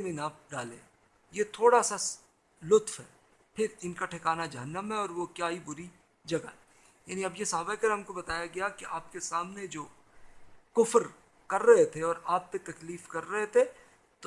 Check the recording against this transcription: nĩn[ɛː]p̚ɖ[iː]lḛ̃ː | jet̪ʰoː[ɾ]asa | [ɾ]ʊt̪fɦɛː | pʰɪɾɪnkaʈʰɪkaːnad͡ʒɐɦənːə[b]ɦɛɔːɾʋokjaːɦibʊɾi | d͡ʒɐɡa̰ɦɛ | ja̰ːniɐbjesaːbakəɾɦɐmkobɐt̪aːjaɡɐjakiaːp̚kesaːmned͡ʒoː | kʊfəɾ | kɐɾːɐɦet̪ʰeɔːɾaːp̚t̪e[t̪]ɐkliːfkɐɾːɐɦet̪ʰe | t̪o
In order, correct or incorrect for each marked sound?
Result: incorrect, incorrect, incorrect, incorrect, incorrect, correct

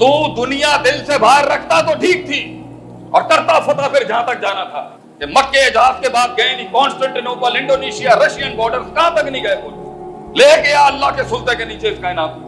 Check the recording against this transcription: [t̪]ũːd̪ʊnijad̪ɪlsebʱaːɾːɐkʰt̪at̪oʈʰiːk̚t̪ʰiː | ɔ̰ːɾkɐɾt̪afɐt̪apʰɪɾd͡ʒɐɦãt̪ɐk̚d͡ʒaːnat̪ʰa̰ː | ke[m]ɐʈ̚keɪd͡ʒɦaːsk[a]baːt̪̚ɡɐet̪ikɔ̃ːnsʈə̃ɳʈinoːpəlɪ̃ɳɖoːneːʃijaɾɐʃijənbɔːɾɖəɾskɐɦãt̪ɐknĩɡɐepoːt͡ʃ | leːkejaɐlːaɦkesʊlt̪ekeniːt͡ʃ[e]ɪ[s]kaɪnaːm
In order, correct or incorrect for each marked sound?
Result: correct, correct, incorrect, correct, correct

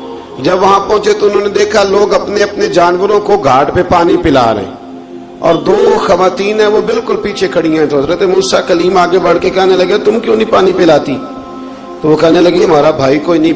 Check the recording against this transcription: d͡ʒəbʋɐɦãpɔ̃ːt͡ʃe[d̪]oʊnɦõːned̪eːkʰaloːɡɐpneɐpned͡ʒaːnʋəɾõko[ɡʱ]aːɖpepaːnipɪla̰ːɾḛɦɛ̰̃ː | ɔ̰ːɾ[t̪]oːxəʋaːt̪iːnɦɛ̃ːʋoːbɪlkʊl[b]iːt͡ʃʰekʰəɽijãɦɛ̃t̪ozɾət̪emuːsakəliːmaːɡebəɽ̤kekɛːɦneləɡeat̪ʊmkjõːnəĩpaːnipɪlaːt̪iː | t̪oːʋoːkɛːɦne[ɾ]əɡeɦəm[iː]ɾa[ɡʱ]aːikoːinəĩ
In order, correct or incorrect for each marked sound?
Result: incorrect, correct, incorrect, incorrect, incorrect, incorrect, incorrect

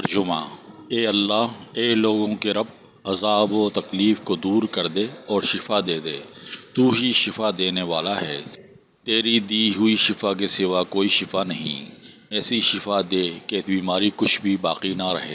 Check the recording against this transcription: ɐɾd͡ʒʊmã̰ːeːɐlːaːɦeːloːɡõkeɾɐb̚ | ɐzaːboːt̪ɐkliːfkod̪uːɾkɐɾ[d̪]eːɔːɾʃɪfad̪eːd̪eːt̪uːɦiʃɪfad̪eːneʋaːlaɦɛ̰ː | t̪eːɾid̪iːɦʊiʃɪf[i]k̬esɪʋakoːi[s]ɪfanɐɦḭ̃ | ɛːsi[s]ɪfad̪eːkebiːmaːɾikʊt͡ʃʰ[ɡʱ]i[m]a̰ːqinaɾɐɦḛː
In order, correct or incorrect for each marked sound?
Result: correct, incorrect, incorrect, incorrect, incorrect, incorrect

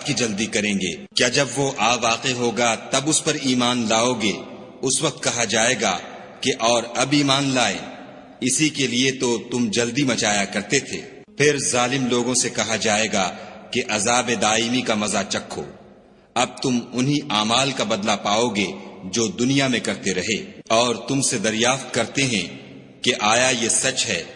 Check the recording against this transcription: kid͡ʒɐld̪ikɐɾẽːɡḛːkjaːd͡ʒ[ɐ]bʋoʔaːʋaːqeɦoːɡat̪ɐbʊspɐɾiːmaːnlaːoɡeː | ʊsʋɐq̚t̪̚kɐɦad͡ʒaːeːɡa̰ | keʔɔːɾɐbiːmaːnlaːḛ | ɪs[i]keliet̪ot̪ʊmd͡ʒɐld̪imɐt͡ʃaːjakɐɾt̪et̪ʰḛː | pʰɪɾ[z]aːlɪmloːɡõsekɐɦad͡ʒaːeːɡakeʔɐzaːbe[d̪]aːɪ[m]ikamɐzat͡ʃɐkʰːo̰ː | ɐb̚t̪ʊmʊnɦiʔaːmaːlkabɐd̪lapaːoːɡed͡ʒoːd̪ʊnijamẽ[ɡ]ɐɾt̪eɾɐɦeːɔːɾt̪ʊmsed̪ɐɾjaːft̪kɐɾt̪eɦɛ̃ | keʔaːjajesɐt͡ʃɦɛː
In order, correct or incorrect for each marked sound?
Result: correct, correct, correct, correct, correct, incorrect

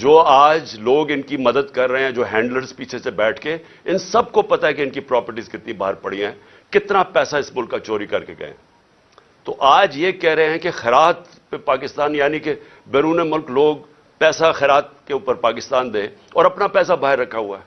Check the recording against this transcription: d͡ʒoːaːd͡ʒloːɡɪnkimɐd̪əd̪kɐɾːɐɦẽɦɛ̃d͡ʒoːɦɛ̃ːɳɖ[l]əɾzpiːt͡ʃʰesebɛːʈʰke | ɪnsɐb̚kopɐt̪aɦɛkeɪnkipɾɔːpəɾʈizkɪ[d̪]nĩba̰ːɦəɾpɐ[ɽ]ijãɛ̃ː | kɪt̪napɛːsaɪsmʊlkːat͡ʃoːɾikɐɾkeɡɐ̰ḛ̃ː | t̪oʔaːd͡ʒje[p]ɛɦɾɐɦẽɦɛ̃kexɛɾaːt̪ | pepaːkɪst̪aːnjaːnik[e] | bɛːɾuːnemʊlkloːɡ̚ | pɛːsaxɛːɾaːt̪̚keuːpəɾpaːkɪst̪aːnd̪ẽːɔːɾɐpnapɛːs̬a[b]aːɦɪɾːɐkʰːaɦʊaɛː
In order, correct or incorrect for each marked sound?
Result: correct, incorrect, correct, incorrect, correct, correct

